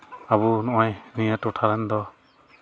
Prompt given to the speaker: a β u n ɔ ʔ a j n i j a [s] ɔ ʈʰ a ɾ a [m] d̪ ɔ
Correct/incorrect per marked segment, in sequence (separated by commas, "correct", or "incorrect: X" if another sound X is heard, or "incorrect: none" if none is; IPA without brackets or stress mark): incorrect: t, incorrect: n